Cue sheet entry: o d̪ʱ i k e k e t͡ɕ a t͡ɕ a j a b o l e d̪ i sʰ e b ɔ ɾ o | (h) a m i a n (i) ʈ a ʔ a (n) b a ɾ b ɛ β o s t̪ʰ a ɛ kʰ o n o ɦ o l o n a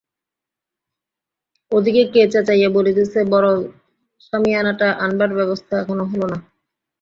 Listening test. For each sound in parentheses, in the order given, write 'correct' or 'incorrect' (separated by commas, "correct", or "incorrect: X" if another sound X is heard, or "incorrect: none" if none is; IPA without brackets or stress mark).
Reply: incorrect: ʃ, incorrect: a, correct